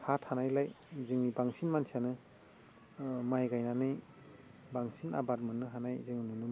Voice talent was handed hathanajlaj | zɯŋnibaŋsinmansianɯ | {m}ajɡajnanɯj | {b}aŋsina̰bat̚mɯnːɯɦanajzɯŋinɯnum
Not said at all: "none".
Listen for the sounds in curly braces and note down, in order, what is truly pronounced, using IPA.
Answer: m, b

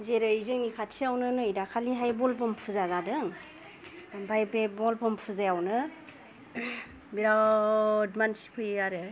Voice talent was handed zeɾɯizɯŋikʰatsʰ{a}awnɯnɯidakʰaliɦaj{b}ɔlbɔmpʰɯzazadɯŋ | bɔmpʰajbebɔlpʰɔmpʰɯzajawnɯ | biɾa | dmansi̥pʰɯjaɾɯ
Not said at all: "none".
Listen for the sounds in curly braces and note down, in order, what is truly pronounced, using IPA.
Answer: i, b

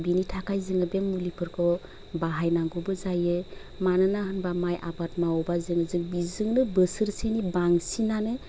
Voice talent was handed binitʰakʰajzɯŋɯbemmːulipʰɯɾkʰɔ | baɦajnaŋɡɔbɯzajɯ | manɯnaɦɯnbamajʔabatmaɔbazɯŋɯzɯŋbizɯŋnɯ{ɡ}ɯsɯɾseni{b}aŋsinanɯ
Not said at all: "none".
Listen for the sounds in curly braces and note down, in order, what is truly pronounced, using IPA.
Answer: b, b

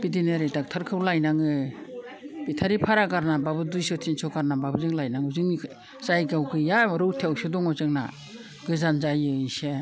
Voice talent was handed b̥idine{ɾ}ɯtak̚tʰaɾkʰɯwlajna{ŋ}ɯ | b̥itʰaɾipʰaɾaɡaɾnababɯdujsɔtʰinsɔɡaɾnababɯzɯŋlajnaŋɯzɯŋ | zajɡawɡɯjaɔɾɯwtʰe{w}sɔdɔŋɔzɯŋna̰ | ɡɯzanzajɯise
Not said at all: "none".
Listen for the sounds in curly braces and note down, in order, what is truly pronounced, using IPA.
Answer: ɾ, ŋ, w

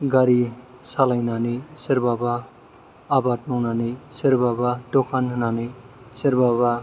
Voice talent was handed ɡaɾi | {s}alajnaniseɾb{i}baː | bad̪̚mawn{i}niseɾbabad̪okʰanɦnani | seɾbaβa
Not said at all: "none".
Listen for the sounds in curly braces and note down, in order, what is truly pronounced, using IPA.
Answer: s, a, a

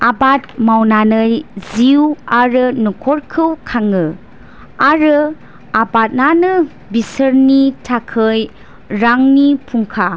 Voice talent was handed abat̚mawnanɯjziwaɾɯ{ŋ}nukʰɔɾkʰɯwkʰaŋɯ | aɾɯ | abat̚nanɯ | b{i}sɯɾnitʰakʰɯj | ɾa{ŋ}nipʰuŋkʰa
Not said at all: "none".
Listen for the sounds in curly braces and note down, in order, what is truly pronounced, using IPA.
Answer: none, i, ŋ

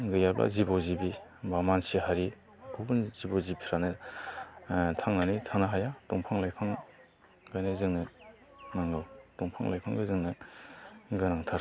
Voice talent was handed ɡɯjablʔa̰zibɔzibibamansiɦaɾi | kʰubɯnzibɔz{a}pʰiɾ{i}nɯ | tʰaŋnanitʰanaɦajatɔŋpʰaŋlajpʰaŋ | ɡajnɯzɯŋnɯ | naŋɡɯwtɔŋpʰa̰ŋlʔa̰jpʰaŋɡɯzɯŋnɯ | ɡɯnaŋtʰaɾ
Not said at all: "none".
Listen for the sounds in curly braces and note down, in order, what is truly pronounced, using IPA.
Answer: i, a

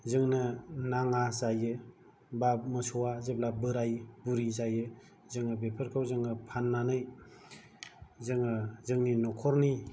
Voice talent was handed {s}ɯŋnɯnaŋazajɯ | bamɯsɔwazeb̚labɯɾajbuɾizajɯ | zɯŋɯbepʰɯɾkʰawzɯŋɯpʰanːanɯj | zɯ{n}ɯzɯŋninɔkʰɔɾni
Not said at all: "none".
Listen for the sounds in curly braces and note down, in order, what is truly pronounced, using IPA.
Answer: z, ŋ

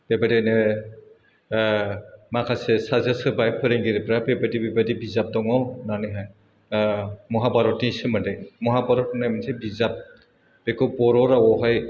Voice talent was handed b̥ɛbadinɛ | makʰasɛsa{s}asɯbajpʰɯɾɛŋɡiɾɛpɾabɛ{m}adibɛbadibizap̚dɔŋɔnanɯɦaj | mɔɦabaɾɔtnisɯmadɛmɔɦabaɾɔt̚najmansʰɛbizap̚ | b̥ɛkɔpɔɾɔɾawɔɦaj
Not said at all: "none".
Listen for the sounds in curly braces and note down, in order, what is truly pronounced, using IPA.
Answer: z, b

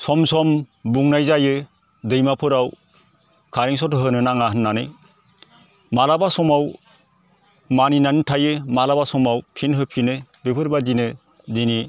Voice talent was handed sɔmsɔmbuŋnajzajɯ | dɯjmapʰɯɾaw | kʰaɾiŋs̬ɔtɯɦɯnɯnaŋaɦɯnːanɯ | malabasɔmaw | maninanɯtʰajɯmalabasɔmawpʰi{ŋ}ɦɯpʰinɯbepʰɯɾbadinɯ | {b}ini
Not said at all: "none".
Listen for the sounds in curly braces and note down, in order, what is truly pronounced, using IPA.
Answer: n, d

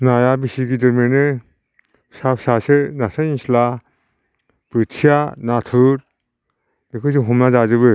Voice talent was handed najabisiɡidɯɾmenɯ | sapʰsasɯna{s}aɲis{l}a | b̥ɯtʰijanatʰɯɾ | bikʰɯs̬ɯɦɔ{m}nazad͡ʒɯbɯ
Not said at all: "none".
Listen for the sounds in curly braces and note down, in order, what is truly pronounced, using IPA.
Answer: s, l, m

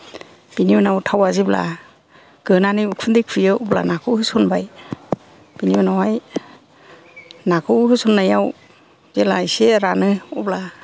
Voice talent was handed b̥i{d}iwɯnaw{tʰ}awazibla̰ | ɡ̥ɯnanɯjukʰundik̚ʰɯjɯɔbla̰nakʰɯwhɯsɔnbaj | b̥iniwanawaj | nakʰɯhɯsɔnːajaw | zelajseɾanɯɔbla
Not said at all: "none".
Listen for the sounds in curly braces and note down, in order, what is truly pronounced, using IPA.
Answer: n, tʰ

